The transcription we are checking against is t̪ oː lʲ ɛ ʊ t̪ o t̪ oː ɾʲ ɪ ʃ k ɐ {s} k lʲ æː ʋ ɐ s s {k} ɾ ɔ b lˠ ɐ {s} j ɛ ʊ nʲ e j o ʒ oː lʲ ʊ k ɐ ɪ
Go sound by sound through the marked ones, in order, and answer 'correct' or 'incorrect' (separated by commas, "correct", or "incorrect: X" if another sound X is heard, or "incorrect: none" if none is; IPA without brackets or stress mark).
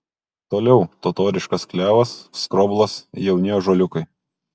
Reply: correct, correct, correct